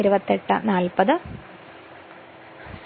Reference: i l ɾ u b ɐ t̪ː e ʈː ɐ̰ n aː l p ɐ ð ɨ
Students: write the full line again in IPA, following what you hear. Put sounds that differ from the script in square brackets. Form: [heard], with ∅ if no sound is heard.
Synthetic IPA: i [∅] ɾ u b ɐ t̪ː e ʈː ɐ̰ n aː l p ɐ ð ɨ